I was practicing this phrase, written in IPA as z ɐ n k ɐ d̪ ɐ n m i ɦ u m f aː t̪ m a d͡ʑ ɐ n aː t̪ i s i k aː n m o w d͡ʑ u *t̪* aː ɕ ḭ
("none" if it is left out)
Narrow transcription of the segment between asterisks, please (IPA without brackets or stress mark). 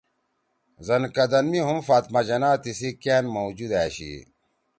d̪